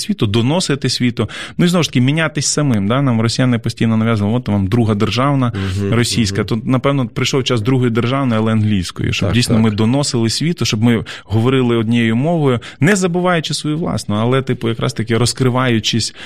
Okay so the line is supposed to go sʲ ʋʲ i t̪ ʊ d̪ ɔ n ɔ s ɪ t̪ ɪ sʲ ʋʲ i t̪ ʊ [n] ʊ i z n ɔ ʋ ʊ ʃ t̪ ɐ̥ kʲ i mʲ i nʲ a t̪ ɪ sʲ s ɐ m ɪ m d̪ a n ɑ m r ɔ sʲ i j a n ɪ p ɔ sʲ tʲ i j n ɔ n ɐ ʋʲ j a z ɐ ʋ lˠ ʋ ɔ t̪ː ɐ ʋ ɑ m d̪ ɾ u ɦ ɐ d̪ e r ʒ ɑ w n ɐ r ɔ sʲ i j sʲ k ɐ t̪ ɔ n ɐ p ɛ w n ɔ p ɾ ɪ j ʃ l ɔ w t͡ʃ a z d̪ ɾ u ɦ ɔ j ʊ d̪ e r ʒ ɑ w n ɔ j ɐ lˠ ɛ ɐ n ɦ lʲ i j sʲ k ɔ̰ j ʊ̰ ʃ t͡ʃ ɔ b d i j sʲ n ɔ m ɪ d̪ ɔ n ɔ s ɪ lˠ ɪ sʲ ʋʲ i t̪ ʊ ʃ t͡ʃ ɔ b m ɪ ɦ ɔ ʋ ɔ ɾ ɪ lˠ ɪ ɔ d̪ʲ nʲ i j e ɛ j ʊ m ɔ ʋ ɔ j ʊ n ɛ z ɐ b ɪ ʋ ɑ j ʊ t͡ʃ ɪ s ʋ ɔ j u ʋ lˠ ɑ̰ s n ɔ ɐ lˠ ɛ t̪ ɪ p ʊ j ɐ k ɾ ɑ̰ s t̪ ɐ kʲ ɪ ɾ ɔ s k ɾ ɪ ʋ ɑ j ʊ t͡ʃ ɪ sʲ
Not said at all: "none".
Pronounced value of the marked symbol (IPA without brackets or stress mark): n